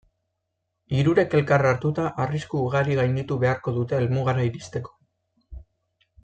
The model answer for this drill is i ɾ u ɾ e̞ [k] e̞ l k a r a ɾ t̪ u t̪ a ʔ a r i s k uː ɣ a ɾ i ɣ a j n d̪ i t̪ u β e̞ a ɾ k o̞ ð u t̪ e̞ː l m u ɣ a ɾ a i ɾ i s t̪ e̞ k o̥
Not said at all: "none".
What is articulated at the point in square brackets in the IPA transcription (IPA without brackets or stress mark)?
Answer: k